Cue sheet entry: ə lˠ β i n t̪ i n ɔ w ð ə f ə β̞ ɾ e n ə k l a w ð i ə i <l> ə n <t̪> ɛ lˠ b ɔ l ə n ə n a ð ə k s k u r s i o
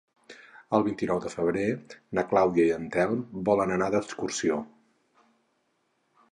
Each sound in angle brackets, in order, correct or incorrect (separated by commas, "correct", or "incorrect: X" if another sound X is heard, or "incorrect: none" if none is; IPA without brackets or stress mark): incorrect: none, correct